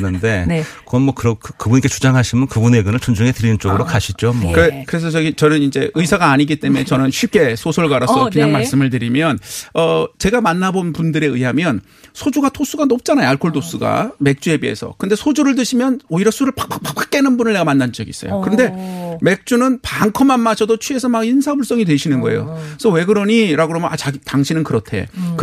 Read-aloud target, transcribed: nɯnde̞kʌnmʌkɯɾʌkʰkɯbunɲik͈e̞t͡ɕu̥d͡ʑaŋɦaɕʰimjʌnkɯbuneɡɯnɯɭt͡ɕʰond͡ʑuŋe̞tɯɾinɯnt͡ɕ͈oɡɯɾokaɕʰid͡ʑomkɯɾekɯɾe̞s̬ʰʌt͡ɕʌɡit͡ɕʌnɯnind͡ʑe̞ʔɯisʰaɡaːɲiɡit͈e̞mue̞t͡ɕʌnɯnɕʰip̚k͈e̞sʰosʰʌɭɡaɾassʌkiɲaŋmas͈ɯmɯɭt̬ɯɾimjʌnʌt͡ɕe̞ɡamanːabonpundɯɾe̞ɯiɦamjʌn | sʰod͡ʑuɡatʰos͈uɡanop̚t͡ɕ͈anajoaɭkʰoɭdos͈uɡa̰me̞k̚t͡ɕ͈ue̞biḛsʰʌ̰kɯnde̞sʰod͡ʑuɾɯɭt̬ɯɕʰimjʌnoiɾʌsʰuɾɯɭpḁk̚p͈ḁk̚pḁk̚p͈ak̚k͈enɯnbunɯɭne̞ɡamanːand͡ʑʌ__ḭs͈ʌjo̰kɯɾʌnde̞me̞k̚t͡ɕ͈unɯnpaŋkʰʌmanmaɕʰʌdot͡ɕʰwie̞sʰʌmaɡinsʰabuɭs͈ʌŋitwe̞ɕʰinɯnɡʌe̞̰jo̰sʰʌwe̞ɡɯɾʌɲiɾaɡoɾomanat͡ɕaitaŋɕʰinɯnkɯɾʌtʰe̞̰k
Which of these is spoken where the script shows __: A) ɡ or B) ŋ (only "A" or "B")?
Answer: A